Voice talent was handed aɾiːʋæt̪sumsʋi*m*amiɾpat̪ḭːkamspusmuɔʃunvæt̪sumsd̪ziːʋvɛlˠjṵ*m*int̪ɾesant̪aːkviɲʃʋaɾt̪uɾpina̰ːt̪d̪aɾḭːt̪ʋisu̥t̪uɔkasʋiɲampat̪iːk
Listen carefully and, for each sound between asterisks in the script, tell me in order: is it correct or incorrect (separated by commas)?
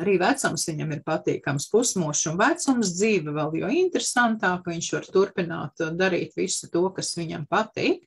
incorrect, incorrect